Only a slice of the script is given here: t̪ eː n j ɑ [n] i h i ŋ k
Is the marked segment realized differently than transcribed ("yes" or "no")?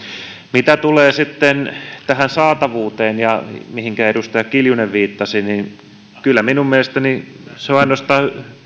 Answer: yes